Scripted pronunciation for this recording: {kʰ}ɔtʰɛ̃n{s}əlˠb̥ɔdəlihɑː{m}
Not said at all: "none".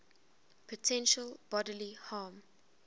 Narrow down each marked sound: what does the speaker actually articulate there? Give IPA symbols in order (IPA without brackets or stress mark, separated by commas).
pʰ, ʃ, m